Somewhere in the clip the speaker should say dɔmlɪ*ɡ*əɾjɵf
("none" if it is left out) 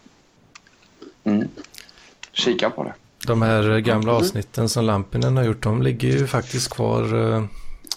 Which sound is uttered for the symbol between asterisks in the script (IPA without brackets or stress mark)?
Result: ɡː